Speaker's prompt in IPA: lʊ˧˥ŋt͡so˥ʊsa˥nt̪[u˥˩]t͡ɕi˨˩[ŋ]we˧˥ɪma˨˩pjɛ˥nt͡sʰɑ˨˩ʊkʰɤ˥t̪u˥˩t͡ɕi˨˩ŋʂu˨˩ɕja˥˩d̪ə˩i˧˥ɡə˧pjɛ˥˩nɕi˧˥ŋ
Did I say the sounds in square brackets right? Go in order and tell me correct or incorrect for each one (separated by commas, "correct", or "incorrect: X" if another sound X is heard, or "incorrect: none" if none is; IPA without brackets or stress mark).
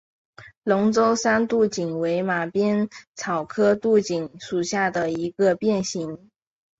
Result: correct, correct